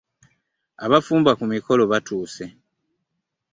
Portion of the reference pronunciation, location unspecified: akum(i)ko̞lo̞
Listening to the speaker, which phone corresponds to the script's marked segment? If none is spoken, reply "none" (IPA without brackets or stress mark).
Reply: i